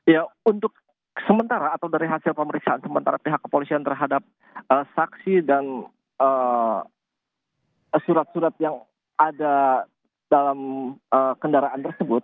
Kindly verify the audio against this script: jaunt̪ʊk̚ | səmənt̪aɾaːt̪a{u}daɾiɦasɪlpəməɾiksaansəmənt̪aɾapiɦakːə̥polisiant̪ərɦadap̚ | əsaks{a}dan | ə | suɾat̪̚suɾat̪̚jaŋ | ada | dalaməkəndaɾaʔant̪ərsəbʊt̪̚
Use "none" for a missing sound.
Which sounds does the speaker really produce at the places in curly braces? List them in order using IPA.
w, i

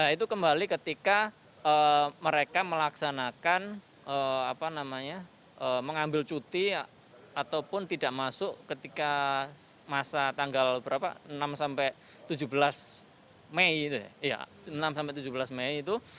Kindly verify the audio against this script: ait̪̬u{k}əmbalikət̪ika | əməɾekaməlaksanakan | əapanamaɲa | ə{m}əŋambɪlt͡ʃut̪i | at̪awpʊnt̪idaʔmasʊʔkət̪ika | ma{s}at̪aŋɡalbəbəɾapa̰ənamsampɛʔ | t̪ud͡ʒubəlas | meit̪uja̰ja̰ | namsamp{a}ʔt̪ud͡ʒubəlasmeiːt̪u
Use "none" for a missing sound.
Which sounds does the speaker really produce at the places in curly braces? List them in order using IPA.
k, m, s, ɛ

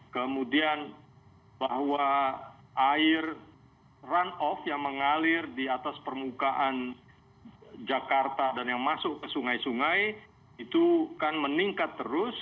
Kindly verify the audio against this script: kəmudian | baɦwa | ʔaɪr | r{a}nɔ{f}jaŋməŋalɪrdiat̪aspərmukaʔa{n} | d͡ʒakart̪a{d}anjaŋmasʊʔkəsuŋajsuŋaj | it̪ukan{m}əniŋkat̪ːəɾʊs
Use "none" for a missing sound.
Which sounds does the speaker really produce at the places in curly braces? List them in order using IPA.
a, f, n, d, m

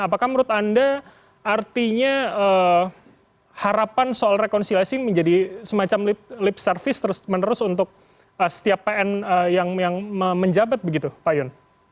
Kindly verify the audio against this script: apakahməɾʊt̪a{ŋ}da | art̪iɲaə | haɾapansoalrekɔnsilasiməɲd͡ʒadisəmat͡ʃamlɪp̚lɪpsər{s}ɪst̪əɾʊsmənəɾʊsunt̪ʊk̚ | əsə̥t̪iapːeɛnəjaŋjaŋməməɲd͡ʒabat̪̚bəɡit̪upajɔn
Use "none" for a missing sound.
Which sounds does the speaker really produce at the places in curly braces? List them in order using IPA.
n, f

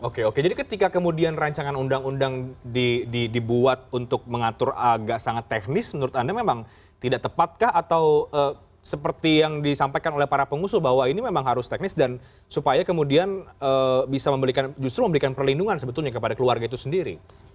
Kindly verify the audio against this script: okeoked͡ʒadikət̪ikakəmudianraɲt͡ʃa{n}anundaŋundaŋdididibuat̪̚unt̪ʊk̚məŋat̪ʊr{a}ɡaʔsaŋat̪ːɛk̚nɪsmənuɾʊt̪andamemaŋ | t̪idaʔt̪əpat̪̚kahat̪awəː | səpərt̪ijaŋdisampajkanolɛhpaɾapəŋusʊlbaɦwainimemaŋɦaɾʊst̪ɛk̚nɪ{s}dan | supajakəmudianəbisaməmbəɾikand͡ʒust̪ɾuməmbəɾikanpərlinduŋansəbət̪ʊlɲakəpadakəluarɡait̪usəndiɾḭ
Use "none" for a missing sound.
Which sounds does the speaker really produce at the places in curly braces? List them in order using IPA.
ŋ, a, s

